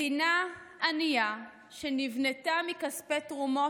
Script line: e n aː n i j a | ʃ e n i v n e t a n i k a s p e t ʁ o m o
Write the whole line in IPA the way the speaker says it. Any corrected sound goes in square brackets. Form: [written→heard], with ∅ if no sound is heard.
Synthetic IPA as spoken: [e→i] n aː n i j a | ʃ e n i v n e t a [n→m] i k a s p e t ʁ [o→u] m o